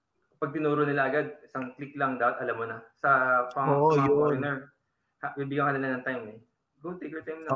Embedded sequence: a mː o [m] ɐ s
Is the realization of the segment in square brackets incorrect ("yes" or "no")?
yes